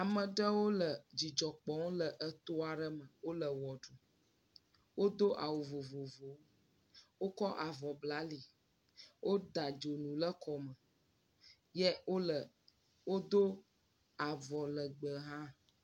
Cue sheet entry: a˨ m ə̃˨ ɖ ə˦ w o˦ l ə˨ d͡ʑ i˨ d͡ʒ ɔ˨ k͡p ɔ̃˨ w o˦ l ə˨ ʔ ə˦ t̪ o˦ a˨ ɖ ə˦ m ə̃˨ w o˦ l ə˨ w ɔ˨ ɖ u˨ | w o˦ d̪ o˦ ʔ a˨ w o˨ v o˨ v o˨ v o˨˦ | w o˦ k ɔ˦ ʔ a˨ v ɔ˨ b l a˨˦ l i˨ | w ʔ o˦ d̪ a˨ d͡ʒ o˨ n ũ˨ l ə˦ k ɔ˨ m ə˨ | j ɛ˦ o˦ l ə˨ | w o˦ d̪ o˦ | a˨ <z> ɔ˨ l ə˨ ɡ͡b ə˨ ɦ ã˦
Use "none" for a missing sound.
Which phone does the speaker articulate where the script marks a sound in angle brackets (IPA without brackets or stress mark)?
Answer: v